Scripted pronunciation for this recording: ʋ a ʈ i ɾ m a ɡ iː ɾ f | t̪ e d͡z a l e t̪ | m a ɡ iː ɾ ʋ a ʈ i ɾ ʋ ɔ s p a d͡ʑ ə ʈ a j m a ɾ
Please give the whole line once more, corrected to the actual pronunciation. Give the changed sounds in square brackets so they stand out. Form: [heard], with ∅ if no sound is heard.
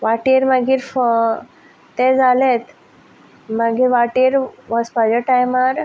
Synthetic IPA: ʋ a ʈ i ɾ m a ɡ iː ɾ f | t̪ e d͡z a l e t̪ | m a ɡ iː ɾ ʋ a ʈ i ɾ ʋ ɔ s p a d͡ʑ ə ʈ a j m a ɾ